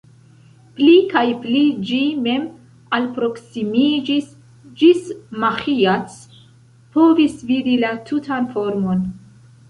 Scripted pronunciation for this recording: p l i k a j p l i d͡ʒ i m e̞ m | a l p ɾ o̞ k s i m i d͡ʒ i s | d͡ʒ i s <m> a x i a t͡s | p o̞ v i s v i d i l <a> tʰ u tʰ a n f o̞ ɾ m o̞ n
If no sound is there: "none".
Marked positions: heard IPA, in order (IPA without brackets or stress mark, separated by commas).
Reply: m, a